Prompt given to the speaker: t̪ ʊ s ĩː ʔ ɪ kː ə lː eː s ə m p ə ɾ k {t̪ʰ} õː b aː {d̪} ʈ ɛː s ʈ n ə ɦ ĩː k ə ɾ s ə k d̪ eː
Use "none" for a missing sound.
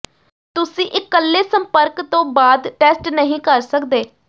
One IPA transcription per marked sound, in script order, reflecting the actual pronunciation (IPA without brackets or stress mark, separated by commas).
t̪, d̪